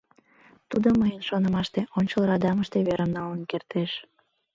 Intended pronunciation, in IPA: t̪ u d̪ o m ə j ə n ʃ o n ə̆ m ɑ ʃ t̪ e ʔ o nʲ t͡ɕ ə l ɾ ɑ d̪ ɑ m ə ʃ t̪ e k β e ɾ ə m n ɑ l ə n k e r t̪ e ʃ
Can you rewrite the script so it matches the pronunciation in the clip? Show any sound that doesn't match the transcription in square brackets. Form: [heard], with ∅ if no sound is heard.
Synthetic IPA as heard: t̪ u d̪ o m ə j ə n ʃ o n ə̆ m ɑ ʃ t̪ e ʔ o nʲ t͡ɕ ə l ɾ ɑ d̪ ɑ m ə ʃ t̪ e [∅] β e ɾ ə m n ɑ l ə n k e r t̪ e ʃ

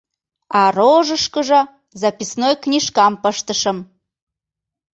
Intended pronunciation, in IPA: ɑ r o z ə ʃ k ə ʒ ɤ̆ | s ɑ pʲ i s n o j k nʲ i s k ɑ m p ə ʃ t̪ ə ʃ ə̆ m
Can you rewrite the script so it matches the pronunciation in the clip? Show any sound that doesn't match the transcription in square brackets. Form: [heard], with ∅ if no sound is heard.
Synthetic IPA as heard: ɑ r o [ʒ] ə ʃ k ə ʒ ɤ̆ | [z] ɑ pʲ i s n o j k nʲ i [ʃ] k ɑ m p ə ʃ t̪ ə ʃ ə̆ m

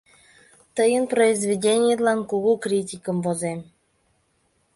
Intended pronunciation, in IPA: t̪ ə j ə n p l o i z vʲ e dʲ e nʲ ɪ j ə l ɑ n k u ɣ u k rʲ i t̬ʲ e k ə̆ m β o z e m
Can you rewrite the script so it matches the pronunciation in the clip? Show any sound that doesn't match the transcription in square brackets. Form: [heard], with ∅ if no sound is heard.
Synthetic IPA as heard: t̪ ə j ə n p [r] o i z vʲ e dʲ e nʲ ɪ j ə l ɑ n k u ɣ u k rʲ i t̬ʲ [i] k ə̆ m [v] o z e m

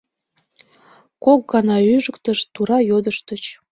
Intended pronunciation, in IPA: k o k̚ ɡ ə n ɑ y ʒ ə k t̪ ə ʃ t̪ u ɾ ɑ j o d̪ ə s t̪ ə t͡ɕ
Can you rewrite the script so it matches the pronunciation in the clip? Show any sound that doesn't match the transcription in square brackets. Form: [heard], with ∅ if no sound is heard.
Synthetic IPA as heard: k o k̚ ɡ [ɑ] n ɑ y ʒ ə k t̪ ə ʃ t̪ u ɾ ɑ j o d̪ ə [ʃ] t̪ ə t͡ɕ

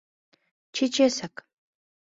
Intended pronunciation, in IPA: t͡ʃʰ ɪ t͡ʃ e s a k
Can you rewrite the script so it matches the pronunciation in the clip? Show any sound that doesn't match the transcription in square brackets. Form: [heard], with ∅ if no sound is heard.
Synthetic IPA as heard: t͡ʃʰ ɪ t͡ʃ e s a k

